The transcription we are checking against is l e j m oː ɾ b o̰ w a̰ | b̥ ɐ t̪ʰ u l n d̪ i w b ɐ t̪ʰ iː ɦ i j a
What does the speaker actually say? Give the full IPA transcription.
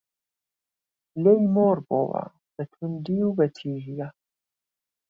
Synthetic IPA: l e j m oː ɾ b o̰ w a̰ | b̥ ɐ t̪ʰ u n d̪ i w b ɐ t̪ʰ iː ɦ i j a